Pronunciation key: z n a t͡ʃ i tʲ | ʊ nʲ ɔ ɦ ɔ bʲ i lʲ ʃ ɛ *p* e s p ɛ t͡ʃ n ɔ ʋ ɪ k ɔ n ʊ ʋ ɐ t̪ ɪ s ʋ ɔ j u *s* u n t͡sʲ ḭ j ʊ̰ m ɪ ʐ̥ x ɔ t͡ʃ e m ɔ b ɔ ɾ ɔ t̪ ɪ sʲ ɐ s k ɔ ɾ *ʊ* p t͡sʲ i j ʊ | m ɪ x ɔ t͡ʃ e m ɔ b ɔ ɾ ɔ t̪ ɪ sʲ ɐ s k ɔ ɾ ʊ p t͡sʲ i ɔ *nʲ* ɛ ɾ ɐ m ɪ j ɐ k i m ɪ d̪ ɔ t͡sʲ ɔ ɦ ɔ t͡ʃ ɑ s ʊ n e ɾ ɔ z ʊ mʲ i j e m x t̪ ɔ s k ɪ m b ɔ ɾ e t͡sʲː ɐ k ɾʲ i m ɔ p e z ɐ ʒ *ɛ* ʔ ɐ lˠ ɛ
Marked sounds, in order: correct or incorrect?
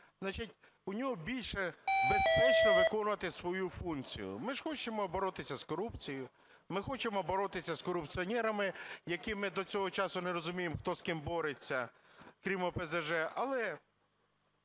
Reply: incorrect: b, incorrect: f, incorrect: u, correct, correct

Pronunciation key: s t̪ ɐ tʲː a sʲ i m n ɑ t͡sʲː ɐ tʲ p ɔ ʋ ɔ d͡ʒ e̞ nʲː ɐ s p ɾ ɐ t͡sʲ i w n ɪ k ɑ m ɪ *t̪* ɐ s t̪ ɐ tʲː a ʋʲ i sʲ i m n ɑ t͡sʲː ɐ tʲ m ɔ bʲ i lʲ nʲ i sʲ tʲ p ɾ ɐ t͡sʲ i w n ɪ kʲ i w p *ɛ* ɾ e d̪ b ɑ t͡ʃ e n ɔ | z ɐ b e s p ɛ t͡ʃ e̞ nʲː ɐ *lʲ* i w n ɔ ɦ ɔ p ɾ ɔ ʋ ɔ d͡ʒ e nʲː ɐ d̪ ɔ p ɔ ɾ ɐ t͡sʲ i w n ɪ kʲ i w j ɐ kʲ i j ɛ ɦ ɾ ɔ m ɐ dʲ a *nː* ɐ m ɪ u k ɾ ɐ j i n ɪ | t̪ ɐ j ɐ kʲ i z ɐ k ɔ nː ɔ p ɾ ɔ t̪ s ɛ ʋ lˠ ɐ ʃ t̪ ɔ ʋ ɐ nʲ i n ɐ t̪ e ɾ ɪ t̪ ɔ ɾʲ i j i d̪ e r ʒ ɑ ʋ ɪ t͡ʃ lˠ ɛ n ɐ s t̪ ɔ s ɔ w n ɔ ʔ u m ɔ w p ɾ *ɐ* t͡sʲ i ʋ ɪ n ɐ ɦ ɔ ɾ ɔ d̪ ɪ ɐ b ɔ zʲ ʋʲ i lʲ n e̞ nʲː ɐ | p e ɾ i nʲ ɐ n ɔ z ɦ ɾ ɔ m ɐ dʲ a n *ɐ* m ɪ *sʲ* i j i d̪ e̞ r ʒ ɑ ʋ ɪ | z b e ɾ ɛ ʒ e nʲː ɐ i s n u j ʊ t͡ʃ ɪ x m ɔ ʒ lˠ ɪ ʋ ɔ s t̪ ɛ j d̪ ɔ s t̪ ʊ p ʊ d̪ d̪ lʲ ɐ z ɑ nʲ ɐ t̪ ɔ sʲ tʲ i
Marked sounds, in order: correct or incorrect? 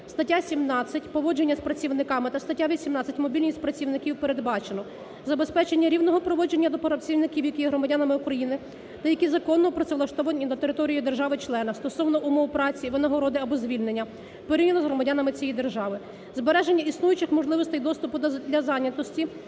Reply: correct, incorrect: e, incorrect: ɾʲ, incorrect: n, incorrect: ɑ, correct, incorrect: t͡sʲ

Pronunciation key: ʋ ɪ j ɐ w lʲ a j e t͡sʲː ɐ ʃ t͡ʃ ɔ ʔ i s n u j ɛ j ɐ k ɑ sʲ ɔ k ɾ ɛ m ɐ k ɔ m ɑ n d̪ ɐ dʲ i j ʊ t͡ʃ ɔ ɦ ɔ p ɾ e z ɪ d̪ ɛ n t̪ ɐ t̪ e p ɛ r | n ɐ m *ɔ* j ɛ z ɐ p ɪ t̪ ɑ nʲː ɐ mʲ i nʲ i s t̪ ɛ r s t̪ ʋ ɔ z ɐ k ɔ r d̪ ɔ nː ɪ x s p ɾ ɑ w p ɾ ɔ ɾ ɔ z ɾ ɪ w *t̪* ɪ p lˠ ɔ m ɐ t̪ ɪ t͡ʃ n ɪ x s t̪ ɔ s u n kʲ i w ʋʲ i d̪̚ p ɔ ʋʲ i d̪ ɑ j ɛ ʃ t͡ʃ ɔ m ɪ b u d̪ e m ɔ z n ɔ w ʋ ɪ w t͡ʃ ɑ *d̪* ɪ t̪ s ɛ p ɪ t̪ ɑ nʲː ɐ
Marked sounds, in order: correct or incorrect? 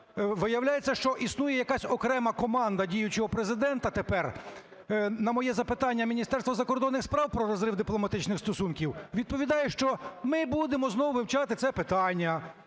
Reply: correct, incorrect: d̪, incorrect: t̪

